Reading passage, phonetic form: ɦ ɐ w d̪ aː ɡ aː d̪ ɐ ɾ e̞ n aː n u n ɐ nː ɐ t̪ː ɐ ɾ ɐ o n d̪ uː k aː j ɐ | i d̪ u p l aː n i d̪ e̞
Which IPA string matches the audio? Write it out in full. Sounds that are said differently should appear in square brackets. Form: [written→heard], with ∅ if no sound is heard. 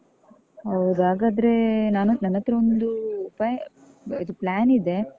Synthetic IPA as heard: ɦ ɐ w d̪ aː ɡ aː d̪ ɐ ɾ e̞ n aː n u n ɐ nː ɐ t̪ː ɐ ɾ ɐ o n d̪ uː [k→p] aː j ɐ | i d̪ u p l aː n i d̪ e̞